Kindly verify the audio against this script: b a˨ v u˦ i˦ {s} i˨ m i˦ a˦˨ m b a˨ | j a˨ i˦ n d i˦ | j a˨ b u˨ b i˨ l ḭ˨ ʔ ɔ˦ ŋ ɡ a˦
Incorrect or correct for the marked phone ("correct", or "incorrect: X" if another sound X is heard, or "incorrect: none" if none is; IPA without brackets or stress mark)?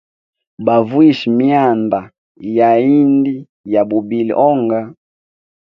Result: incorrect: ʃ